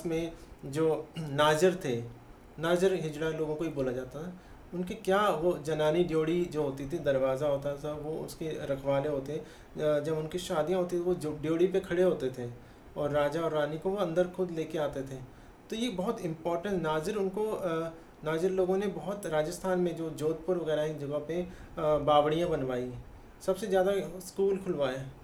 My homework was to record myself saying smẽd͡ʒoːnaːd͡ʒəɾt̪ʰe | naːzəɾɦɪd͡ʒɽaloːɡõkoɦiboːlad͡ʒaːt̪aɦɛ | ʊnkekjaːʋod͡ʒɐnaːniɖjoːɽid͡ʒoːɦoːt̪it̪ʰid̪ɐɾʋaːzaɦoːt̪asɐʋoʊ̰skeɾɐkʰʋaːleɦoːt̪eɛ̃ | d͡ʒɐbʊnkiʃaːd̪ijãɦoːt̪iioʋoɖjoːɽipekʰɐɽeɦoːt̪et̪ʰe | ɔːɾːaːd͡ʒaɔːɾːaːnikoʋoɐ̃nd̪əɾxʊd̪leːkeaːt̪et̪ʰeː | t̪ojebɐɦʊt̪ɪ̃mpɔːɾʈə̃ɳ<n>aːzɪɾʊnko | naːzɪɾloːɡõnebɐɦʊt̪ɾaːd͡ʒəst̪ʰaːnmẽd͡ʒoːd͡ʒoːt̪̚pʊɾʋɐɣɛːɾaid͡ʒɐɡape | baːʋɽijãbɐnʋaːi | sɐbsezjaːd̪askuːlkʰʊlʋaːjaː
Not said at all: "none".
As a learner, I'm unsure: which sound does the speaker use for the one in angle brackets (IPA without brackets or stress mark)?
n